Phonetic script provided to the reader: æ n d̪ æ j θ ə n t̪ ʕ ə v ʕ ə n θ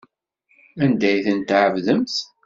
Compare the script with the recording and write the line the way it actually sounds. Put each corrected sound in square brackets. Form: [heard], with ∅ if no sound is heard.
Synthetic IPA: æ n d̪ æ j θ ə n t̪ ʕ ə v [ð] ə [m] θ